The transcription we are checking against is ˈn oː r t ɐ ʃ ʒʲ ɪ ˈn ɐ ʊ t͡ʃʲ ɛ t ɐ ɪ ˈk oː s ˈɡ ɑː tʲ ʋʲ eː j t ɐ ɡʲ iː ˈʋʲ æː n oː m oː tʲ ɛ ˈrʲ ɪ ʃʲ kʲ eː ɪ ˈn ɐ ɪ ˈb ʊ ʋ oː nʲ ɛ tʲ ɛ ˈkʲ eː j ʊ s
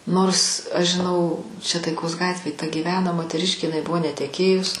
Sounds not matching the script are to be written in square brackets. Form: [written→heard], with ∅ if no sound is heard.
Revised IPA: ˈn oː r [t→s] ɐ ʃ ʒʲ ɪ ˈn ɐ ʊ t͡ʃʲ ɛ t ɐ ɪ ˈk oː s ˈɡ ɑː tʲ ʋʲ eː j t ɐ ɡʲ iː ˈʋʲ æː n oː m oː tʲ ɛ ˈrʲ ɪ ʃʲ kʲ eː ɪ ˈn ɐ ɪ ˈb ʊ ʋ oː nʲ ɛ tʲ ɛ ˈkʲ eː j ʊ s